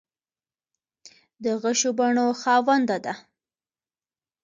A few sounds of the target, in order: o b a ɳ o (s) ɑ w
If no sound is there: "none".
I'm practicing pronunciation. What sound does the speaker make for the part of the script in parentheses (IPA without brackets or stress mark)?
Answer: x